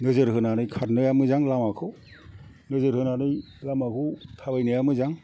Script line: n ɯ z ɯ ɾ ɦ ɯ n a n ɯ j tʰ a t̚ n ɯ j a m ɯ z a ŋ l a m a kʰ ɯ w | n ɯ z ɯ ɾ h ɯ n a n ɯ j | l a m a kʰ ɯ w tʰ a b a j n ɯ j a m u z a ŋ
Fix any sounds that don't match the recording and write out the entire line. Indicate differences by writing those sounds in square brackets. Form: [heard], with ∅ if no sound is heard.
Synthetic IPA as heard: n ɯ z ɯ ɾ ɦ ɯ n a n ɯ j [kʰ] a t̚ n ɯ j a m ɯ z a ŋ l a m a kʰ ɯ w | n ɯ z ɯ ɾ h ɯ n a n ɯ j | l a m a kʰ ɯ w tʰ a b a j n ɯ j a m [ɯ] z a ŋ